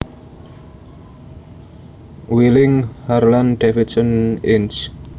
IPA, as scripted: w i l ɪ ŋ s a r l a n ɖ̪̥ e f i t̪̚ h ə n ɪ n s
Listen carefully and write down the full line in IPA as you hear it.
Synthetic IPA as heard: w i l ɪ ŋ h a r l a n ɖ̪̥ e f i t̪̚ s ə n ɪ n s